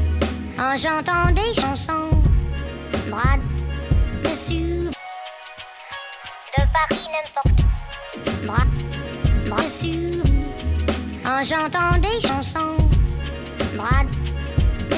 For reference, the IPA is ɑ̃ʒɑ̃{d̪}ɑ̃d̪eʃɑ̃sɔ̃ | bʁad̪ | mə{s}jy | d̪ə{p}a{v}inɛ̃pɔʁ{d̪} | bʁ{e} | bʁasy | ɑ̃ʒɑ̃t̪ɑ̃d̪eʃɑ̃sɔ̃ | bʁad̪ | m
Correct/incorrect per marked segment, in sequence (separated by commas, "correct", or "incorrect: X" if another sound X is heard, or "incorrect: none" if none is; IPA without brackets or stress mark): incorrect: t̪, correct, correct, incorrect: ʁ, incorrect: t̪, incorrect: a